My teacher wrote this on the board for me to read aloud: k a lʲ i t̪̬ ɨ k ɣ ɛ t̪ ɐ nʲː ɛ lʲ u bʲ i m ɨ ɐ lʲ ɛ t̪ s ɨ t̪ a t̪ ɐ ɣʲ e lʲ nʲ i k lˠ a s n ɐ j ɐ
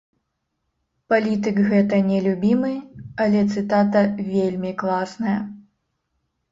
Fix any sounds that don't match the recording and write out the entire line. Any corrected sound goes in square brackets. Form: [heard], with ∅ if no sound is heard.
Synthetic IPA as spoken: [p] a lʲ i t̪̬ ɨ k ɣ ɛ t̪ ɐ [nʲ] ɛ lʲ u bʲ i m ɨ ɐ lʲ ɛ t̪ s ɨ t̪ a t̪ ɐ [vʲ] e lʲ [mʲ] i k lˠ a s n ɐ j ɐ